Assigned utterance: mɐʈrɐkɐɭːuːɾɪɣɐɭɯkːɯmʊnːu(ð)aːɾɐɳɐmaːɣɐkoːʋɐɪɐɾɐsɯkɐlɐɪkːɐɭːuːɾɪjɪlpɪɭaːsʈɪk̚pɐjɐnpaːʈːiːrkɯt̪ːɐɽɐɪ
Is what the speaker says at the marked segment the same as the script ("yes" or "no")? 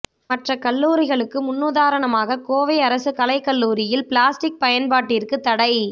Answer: yes